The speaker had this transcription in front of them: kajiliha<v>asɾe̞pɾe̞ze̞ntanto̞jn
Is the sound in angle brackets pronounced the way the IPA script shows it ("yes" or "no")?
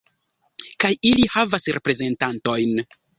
yes